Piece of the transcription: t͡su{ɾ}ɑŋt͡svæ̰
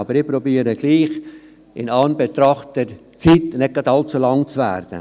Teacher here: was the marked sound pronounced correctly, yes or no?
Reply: no